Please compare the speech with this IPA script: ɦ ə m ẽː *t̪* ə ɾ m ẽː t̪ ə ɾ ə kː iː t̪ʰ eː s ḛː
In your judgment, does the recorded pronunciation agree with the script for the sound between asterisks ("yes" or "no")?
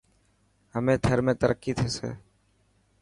no